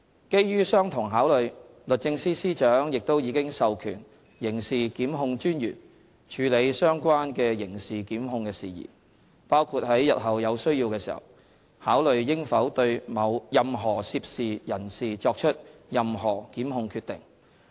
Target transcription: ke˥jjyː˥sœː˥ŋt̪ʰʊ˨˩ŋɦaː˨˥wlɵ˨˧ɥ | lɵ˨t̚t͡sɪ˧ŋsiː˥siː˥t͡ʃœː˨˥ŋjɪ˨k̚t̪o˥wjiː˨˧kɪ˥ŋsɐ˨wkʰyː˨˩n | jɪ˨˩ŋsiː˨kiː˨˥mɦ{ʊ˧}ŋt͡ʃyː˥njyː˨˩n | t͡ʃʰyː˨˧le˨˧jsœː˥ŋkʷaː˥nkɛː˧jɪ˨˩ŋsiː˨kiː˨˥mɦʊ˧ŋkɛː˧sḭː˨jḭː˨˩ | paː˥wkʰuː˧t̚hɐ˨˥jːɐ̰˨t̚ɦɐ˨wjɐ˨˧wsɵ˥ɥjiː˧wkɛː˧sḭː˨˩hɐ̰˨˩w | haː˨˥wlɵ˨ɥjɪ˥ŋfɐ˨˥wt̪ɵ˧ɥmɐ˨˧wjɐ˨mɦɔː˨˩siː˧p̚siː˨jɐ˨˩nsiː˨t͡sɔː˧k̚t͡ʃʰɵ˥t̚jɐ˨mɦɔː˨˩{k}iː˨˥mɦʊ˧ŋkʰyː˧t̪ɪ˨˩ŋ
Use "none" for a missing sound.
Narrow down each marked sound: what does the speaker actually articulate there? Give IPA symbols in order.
ʊ˧, k

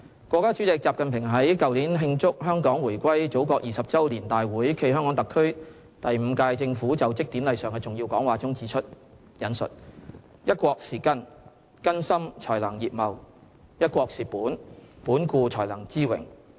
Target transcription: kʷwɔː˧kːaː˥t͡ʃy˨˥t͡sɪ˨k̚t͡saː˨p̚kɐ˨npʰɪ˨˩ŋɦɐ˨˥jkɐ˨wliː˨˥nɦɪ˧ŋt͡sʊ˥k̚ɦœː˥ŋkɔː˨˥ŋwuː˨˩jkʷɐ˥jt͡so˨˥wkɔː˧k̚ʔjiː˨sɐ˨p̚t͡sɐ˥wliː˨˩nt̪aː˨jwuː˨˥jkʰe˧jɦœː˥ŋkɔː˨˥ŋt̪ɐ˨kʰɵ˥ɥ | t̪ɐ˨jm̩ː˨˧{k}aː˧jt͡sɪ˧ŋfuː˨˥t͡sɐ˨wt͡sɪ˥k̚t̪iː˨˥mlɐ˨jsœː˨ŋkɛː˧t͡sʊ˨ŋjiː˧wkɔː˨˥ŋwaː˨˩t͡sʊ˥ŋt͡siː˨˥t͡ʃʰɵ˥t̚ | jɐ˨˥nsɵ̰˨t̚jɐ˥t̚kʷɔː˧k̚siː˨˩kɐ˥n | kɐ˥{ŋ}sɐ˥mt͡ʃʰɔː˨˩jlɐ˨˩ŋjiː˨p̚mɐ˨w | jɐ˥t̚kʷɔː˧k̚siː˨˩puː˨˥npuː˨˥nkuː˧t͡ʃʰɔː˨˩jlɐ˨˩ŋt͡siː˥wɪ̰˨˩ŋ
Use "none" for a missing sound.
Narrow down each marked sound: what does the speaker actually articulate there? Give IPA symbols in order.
k, n

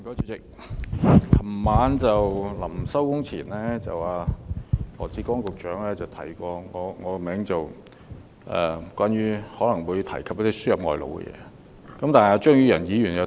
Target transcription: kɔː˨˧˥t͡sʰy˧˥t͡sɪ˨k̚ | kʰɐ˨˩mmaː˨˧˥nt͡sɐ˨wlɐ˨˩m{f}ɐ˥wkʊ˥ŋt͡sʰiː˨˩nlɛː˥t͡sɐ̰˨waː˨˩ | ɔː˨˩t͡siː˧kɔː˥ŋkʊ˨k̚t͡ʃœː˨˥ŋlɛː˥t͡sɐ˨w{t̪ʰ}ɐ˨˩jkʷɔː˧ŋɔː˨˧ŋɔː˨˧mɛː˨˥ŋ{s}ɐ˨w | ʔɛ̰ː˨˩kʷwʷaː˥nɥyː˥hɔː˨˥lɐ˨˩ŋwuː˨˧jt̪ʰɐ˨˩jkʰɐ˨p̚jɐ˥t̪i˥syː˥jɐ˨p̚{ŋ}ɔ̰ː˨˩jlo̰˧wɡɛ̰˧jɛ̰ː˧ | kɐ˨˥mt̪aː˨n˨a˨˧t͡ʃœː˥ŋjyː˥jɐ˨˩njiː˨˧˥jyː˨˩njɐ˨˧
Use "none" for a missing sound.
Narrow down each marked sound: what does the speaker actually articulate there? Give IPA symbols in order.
s, t̪ʰ, t͡s, ŋ

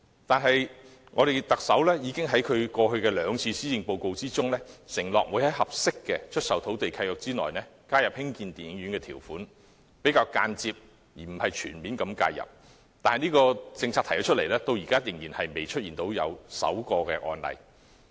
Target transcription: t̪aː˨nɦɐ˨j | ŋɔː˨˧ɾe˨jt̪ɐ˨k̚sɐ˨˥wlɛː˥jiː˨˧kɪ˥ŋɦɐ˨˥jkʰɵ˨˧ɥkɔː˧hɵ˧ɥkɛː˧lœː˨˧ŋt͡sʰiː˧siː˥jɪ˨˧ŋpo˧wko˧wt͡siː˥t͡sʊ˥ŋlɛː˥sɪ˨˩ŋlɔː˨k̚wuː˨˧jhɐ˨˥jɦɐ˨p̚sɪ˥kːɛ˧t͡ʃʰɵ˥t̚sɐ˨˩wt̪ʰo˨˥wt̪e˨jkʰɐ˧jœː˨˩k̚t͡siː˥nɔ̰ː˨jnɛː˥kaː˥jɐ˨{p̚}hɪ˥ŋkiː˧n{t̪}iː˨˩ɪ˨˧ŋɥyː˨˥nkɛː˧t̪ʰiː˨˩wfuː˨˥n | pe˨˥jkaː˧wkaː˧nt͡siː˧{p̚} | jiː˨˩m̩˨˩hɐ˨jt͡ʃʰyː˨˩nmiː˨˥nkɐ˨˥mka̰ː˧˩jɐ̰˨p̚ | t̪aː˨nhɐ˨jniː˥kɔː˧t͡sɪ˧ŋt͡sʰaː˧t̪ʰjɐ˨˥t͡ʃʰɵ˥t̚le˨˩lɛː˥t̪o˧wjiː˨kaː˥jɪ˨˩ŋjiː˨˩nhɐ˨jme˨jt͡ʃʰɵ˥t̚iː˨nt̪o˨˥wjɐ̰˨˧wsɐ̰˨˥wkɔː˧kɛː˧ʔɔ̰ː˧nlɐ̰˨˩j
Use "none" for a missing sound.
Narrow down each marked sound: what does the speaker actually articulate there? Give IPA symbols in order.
p̚, t̪, p̚

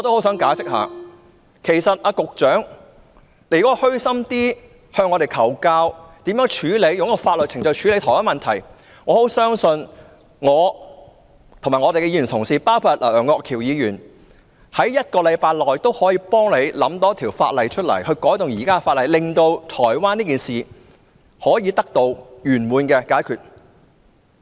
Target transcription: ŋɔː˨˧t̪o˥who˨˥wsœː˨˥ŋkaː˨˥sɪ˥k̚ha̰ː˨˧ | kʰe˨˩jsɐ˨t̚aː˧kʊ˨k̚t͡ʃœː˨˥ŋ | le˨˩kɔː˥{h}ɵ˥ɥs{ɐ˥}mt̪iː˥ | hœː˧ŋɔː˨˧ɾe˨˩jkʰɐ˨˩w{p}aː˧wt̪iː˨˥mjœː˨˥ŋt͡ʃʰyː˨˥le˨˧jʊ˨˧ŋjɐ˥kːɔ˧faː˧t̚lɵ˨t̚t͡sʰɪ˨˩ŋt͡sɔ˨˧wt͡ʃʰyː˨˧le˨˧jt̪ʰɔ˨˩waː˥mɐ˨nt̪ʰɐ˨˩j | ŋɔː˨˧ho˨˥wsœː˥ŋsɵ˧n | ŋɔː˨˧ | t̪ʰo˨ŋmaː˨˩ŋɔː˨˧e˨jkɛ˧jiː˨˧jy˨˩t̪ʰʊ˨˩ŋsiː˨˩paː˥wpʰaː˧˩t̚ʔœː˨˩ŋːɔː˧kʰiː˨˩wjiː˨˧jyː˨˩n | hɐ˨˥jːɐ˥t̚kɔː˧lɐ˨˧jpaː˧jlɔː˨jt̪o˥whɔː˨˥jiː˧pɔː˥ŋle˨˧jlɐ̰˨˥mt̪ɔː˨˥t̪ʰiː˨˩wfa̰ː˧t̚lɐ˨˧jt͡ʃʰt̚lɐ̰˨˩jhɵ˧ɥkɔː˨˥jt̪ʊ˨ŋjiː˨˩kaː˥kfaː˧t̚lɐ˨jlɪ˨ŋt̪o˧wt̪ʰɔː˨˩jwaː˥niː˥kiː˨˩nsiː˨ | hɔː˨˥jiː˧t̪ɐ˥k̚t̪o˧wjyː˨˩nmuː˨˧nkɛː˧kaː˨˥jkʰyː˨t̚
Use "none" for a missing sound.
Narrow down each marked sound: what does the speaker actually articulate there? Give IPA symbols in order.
h, ɐ˥, k

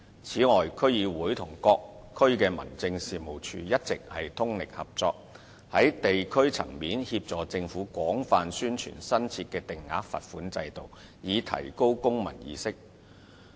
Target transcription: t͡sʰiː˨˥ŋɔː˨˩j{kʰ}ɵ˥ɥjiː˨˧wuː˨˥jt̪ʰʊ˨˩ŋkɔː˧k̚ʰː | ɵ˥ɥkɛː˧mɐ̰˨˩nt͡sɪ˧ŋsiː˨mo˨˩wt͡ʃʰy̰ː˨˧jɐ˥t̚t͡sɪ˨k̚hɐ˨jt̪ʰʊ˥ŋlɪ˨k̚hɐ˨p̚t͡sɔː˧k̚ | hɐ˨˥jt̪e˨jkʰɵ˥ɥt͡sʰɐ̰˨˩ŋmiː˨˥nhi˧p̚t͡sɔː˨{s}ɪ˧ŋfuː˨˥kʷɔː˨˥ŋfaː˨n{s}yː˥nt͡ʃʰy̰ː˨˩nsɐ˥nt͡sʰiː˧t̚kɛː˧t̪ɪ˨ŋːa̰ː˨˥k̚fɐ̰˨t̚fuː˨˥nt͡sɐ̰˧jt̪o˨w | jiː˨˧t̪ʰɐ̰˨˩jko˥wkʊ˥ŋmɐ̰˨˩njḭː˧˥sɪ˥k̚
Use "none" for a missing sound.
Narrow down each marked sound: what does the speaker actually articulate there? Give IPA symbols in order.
kʰ, t͡s, s

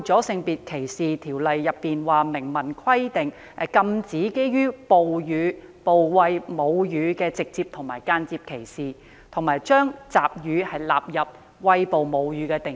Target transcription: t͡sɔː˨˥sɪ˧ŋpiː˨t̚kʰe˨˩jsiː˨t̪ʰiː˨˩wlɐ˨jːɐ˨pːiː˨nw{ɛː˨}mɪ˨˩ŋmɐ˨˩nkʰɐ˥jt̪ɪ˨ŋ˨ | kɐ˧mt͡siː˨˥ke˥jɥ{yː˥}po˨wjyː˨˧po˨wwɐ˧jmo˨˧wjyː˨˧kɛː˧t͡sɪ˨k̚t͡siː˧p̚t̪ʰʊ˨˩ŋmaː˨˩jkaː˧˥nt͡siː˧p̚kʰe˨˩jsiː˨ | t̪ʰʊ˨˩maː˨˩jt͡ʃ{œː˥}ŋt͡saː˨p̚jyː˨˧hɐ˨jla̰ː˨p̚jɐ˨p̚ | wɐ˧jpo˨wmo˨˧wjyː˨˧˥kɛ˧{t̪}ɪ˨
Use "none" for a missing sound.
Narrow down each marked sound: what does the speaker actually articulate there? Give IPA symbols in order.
aː˨, yː˥, œː˥, t̪

